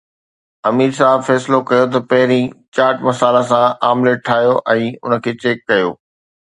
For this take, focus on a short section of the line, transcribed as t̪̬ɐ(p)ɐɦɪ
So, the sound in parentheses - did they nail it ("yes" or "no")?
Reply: yes